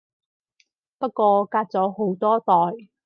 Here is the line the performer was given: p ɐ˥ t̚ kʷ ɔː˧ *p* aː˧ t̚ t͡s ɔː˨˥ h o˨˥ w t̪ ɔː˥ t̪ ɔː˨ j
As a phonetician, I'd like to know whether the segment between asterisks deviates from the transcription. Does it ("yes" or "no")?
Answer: yes